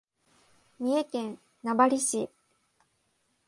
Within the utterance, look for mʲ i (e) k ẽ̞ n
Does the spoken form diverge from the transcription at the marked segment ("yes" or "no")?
no